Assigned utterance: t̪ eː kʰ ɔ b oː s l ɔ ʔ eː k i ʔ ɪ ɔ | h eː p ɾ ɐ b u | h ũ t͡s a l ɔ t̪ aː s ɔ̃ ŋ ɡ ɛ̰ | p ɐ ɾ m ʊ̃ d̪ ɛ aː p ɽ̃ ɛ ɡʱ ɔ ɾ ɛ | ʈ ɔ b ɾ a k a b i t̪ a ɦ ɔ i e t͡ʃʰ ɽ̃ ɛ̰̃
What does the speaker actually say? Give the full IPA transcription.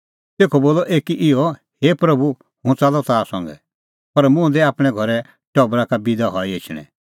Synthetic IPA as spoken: t̪ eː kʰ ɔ b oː l ɔ ʔ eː k i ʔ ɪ ɔ | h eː p ɾ ɐ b u | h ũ t͡s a l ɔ t̪ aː s ɔ̃ ŋ ɡ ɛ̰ | p ɐ ɾ m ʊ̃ d̪ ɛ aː p ɽ̃ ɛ ɡʱ ɔ ɾ ɛ | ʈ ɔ b ɾ a k a b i d̪ a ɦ ɔ i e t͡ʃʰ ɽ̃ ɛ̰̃